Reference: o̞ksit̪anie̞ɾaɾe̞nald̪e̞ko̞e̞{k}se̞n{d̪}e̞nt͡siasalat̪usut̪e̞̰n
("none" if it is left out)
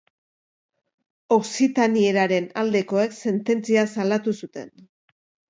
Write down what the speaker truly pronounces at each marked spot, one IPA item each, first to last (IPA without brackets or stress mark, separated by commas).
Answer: k, t̪